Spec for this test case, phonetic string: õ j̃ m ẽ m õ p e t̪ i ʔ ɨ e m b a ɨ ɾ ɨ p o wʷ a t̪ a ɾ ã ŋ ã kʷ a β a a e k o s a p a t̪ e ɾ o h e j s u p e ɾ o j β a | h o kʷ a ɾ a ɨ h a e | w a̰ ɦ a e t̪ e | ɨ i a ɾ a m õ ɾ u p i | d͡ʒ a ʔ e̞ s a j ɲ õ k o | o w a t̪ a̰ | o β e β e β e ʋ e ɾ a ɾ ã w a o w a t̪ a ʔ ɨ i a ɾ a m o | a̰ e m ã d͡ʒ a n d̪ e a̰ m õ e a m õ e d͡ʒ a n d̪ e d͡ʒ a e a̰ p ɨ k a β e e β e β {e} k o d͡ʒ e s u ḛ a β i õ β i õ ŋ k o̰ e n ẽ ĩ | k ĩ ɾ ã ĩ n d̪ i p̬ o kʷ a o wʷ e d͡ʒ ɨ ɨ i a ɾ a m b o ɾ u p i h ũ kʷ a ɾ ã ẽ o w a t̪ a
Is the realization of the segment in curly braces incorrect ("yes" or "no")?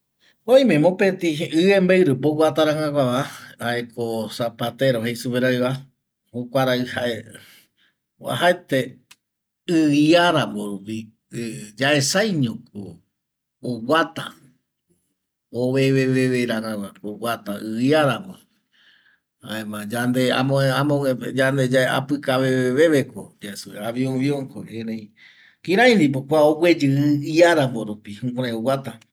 no